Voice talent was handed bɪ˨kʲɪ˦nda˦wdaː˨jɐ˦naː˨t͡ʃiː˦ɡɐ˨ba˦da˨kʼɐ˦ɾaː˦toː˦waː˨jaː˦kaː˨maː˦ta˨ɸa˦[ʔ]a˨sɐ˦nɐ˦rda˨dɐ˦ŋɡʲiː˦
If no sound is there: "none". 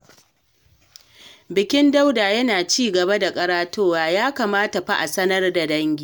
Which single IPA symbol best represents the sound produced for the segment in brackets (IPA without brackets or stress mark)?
ʔ